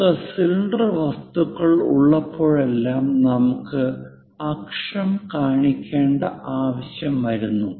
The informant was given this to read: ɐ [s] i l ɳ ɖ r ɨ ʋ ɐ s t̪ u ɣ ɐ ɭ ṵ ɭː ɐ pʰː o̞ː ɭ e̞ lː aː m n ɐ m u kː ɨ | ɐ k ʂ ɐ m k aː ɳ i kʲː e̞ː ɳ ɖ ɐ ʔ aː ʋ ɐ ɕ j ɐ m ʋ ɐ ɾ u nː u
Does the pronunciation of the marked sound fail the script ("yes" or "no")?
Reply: no